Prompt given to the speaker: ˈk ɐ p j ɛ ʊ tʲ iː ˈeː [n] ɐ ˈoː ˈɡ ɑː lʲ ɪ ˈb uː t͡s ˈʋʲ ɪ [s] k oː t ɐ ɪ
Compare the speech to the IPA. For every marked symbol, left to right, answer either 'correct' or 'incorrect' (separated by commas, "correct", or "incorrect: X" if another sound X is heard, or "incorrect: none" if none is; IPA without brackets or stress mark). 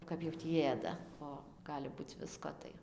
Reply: incorrect: d, correct